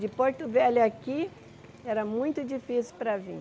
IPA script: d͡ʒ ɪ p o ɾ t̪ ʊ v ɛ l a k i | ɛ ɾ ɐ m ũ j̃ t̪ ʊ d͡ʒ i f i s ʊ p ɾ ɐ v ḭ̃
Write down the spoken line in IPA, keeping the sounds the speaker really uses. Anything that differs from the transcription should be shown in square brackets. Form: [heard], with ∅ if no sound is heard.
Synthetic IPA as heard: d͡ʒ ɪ p o ɾ t̪ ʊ v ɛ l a k i | ɛ ɾ ɐ m ũ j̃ t̪ ʊ d͡ʒ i f i s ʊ p ɾ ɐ v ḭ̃